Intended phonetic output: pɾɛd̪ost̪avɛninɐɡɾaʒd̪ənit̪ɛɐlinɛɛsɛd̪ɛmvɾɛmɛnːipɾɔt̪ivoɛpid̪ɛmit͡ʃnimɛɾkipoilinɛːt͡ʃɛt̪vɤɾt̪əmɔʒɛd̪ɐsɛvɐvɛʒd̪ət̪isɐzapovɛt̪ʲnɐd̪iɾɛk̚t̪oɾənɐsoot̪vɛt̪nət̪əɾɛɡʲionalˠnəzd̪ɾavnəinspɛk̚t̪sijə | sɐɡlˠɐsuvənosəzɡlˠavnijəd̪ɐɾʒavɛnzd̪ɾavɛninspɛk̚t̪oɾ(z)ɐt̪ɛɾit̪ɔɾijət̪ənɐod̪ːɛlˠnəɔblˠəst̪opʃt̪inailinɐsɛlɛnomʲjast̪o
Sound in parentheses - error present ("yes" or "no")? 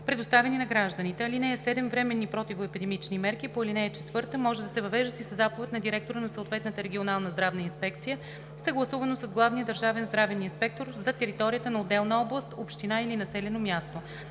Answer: no